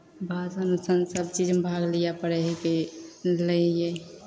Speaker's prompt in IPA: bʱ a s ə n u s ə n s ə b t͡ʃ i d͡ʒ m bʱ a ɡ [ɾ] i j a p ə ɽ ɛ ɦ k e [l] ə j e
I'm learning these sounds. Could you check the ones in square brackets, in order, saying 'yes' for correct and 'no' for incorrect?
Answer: no, yes

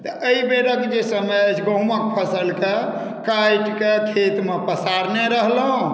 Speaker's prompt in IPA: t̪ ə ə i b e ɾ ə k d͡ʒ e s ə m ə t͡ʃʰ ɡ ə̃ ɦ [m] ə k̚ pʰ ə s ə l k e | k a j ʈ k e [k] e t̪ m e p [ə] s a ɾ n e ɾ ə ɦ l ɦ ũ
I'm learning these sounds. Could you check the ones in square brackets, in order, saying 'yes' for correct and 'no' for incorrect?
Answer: yes, no, yes

